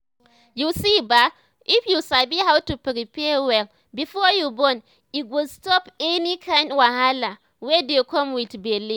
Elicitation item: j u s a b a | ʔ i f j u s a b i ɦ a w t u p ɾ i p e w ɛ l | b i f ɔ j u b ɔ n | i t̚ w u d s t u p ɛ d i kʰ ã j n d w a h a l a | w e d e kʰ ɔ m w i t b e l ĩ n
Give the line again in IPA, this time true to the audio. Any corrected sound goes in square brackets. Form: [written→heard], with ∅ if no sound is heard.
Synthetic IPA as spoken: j u s [a→i] b a | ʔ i f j u s a b i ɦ a w t u p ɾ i p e w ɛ l | b i f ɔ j u b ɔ n | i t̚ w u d s t [u→ɔ] p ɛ [d→n] i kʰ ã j n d w a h a l a | w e d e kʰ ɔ m w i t b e l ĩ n